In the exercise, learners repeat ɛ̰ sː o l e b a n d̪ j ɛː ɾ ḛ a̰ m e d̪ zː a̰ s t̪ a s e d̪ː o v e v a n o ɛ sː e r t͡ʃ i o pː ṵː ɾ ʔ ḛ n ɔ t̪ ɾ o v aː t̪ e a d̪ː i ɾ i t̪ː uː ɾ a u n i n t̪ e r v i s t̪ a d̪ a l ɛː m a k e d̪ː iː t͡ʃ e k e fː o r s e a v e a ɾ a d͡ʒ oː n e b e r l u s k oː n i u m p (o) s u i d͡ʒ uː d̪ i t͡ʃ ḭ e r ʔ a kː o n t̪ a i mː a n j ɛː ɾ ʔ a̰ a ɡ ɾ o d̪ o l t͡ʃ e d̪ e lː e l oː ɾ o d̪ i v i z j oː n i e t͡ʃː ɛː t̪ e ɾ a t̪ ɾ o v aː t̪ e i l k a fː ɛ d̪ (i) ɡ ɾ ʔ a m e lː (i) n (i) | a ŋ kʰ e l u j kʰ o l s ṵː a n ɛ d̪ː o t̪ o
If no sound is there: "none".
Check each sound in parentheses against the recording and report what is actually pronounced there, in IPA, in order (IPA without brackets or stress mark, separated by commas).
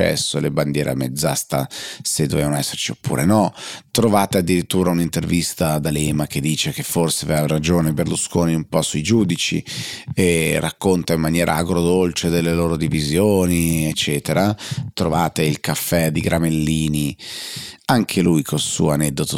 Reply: ɔ, i, iː, i